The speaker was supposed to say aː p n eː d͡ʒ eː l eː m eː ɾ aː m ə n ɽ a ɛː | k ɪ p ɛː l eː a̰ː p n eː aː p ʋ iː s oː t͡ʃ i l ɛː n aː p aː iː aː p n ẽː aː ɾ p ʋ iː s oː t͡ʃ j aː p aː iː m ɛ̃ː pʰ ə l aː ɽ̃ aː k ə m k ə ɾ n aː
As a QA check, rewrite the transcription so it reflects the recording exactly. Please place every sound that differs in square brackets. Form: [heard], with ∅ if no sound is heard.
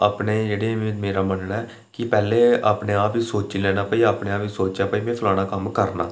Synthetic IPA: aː p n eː d͡ʒ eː [ɽ] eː m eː ɾ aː m ə n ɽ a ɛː | k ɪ p ɛː l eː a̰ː p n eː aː p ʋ iː s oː t͡ʃ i l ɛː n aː p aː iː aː p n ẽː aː [∅] p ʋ iː s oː t͡ʃ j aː p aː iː m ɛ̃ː pʰ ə l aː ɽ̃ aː k ə m k ə ɾ n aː